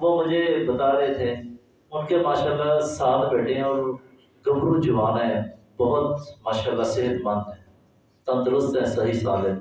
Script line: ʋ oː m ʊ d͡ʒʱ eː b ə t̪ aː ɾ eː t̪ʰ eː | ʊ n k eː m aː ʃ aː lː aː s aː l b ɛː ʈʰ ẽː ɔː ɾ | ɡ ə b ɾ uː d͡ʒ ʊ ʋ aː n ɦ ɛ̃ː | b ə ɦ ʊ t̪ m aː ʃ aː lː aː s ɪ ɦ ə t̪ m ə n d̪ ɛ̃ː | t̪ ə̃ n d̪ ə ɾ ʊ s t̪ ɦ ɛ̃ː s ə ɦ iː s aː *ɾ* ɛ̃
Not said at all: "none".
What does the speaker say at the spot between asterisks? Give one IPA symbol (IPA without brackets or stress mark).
l